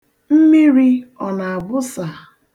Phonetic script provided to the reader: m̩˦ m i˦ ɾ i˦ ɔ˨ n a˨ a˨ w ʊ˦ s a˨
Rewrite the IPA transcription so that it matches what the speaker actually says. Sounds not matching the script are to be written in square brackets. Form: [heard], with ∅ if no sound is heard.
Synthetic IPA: m̩˦ m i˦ ɾ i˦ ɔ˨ n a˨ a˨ [b] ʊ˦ s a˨